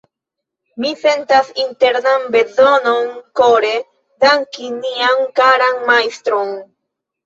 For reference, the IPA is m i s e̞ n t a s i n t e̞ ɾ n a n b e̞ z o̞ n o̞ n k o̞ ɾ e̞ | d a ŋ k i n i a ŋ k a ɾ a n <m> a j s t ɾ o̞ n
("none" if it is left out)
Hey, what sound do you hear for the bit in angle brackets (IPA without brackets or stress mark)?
m